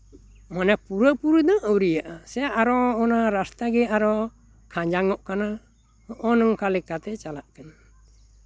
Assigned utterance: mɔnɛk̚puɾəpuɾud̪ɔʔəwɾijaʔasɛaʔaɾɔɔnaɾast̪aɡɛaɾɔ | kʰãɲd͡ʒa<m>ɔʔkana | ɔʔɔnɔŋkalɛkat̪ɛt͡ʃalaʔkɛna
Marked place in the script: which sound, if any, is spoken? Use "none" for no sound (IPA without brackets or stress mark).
ŋ